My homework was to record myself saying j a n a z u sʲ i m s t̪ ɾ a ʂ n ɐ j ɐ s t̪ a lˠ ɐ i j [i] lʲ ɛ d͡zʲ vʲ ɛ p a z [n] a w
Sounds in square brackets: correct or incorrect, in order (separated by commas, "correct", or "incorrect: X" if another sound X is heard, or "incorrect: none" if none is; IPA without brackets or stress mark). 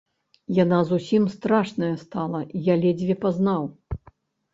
incorrect: a, correct